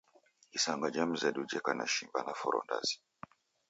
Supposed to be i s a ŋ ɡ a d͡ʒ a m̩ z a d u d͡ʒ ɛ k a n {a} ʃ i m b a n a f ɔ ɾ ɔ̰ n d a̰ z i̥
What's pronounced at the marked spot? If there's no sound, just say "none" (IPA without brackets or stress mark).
a